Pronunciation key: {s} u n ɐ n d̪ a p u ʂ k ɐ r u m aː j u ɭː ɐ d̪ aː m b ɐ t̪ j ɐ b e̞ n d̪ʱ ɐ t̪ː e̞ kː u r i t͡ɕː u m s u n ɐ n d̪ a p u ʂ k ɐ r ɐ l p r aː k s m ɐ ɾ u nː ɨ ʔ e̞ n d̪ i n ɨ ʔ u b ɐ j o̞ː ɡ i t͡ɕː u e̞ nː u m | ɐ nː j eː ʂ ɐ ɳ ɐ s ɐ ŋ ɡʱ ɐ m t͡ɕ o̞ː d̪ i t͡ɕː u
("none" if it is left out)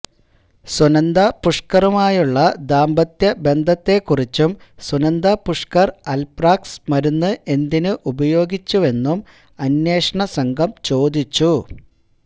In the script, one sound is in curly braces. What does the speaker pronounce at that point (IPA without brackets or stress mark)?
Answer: s